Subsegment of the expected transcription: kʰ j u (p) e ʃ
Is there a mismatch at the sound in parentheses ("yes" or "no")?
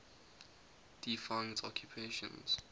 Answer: yes